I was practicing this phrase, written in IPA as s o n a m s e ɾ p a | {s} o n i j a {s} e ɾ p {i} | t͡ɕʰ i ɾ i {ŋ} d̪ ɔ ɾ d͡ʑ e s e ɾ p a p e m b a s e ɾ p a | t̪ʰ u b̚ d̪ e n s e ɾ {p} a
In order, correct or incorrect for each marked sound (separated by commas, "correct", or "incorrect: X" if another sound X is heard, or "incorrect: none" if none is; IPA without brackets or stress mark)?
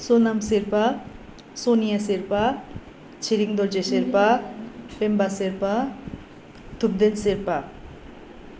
correct, correct, incorrect: a, correct, correct